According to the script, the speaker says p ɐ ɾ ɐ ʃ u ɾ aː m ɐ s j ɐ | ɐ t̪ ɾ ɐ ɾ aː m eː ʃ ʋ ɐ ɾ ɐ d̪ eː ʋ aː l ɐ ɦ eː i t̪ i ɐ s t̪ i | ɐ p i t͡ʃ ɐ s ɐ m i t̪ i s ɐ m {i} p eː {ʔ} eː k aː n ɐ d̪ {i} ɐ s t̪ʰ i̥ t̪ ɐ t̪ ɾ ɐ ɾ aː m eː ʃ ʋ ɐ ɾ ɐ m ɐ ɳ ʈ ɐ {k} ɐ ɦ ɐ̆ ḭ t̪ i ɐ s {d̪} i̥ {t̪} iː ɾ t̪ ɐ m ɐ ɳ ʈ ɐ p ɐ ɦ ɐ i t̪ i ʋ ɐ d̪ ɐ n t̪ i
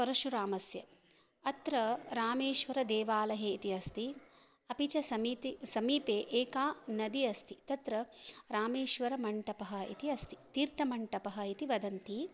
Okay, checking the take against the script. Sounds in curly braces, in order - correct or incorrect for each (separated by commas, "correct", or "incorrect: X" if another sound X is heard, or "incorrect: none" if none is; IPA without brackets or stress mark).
incorrect: iː, correct, correct, incorrect: p, incorrect: t̪, correct